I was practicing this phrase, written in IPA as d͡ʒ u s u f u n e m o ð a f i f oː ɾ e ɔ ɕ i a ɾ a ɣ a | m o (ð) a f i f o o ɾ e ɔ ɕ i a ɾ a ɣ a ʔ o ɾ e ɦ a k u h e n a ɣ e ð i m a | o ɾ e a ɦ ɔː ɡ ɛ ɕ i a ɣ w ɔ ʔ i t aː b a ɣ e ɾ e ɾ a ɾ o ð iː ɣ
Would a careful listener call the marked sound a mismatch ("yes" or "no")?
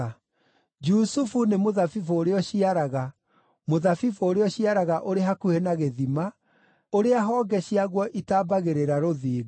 no